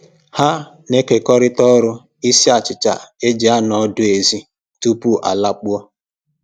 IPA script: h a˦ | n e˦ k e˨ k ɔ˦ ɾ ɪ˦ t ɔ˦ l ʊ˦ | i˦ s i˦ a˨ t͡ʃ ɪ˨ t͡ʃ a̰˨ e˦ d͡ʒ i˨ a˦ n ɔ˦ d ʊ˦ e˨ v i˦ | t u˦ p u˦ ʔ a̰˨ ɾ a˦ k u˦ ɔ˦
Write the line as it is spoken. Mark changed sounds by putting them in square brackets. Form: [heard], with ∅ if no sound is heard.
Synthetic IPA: h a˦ | n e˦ k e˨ k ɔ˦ ɾ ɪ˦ t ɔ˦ [ɾ] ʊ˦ | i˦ s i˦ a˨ t͡ʃ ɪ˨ t͡ʃ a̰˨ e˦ d͡ʒ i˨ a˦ n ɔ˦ d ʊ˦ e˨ [z] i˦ | t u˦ p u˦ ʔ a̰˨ [l] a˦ [k͡p] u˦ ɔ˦